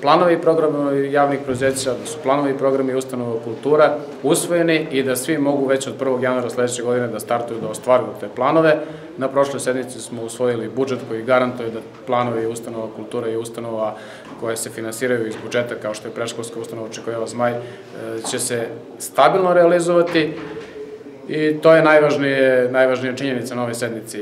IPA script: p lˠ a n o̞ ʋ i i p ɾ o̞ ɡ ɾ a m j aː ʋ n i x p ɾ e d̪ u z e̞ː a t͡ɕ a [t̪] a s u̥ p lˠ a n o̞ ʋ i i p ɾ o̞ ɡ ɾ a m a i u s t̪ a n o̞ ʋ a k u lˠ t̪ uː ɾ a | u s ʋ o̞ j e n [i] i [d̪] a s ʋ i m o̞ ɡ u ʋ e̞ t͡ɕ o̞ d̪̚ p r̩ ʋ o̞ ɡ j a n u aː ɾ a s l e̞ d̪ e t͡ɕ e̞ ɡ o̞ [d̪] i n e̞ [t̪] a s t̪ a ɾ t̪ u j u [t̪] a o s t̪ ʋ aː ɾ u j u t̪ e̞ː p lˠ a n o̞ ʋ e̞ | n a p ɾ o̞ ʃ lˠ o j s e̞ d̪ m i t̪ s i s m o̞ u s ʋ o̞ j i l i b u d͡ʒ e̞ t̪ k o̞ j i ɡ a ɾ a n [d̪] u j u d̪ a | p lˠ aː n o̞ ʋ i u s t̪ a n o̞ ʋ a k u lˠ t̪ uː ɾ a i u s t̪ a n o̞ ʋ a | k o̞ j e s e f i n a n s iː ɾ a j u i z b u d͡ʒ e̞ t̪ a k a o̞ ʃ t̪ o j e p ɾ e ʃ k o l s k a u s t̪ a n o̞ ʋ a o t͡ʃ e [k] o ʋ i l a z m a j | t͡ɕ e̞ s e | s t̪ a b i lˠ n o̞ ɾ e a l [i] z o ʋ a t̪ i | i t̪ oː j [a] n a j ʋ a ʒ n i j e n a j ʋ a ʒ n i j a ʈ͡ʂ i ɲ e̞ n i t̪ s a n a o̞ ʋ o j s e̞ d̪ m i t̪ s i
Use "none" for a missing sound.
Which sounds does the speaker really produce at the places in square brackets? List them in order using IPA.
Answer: d̪, i, d̪, d̪, d̪, d̪, t̪, k, i, e

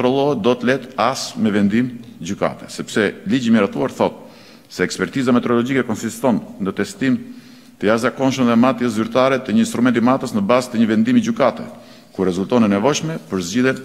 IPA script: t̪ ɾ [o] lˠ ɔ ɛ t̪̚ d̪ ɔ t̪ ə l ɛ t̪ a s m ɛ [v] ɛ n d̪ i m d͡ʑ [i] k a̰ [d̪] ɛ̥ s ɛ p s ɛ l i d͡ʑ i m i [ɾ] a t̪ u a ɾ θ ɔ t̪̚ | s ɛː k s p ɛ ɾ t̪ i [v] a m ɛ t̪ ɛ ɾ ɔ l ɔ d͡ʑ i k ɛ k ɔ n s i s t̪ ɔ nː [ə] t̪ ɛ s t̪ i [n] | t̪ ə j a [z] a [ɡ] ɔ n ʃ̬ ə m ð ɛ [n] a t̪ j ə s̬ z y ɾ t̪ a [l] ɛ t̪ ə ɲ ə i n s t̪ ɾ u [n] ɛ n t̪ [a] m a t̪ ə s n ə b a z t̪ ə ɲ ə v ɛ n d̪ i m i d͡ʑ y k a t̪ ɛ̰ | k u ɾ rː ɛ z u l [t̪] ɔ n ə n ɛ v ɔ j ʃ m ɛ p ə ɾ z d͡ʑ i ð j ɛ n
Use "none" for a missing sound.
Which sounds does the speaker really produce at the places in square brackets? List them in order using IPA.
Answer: ɔ, v, y, t̪, ɾ, z, ə, m, z, k, m, ɾ, m, i, t̪

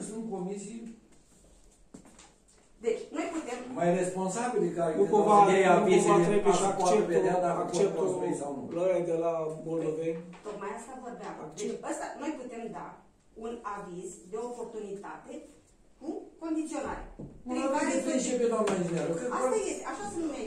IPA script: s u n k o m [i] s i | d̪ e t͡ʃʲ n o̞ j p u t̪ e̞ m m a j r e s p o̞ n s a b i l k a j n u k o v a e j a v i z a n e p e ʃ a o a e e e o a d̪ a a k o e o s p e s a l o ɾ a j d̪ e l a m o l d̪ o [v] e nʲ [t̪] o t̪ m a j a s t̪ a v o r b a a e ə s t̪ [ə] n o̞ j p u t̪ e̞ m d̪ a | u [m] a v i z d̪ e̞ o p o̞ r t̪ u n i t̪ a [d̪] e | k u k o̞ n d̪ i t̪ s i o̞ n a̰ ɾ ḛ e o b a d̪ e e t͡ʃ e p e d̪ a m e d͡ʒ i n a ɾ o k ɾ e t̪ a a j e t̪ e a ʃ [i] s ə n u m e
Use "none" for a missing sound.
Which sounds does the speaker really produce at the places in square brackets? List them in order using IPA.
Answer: i, v, t̪, a, n, t̪, a

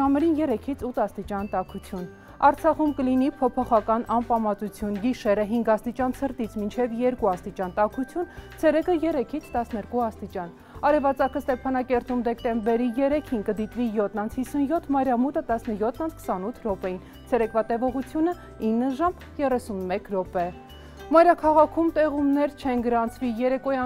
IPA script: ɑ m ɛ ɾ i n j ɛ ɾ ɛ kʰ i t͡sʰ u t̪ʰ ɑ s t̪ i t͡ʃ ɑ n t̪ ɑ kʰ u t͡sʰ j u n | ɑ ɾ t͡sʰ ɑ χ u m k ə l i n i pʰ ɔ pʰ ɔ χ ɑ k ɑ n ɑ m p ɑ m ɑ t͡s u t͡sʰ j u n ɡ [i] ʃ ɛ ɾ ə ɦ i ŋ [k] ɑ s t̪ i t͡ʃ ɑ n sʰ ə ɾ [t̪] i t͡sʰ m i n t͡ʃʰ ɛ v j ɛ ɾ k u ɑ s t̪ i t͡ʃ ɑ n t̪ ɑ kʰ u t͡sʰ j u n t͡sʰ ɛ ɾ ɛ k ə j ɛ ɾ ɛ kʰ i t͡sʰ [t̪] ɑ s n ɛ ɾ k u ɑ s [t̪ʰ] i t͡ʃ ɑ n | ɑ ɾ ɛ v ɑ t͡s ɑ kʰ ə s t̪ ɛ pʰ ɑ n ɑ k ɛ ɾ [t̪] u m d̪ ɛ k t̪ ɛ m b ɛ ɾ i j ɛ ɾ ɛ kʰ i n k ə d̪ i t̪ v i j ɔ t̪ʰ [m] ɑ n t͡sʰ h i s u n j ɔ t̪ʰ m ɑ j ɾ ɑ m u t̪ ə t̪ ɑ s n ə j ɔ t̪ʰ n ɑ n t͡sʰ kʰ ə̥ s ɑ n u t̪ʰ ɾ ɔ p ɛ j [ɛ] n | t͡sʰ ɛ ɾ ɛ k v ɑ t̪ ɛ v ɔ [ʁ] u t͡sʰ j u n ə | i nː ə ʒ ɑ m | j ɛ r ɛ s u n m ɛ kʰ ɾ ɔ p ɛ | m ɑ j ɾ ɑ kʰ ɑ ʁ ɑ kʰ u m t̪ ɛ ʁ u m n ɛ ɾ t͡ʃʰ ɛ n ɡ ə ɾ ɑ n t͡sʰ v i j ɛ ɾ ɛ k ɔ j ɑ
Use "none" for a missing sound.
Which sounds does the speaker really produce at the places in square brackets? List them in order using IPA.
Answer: i, ɡ, t̪, t̪, t̪, t̪, n, i, ʁ

